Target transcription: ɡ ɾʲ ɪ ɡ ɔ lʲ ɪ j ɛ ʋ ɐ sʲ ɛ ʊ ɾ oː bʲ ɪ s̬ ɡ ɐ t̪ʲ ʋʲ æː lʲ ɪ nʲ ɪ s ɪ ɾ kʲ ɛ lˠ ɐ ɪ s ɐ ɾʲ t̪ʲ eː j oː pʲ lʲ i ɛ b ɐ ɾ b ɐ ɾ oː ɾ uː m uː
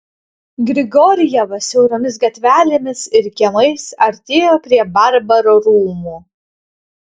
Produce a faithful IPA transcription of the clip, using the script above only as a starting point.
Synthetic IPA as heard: ɡ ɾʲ ɪ ɡ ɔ ɾʲ ɪ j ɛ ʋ ɐ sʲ ɛ ʊ ɾ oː mʲ ɪ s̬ ɡ ɐ t̪ʲ ʋʲ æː lʲ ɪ mʲ ɪ s ɪ ɾ kʲ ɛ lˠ ɐ ɪ s ɐ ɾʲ t̪ʲ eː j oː pʲ ɾʲ i ɛ b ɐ ɾ b ɐ ɾ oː ɾ uː m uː